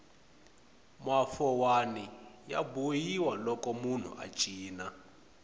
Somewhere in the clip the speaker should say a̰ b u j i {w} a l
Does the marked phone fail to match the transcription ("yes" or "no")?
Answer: no